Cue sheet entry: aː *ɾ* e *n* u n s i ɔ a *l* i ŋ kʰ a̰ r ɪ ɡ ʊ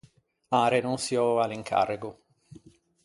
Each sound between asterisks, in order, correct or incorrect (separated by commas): correct, correct, correct